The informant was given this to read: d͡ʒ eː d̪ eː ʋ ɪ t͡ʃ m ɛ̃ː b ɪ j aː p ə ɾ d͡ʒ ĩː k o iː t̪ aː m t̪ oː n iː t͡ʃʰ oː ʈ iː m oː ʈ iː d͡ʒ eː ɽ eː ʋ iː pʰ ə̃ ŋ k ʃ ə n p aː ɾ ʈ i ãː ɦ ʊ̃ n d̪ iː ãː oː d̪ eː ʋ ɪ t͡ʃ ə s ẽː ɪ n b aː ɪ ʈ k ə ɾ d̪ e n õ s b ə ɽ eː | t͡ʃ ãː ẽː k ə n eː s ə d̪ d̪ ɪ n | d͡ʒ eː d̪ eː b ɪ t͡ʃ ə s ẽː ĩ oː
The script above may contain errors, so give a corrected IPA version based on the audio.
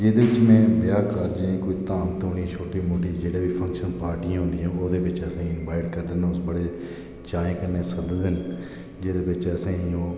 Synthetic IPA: d͡ʒ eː d̪ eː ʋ ɪ t͡ʃ m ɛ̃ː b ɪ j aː k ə ɾ d͡ʒ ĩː k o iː t̪ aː m t̪ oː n iː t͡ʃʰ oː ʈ iː m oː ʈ iː d͡ʒ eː ɽ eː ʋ iː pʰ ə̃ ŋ k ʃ ə n p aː ɾ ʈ i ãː ɦ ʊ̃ n d̪ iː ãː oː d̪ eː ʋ ɪ t͡ʃ ə s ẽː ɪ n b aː ɪ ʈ k ə ɾ d̪ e n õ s b ə ɽ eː | t͡ʃ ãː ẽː k ə n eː s ə d̪ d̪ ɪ n | d͡ʒ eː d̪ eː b ɪ t͡ʃ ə s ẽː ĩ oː